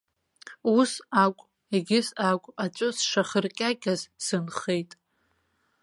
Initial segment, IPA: u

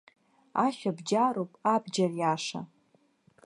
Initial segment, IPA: a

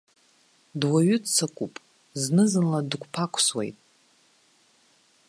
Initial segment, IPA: d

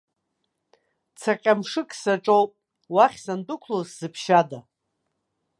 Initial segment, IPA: t͡sʰ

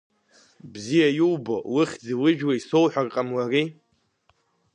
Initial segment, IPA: b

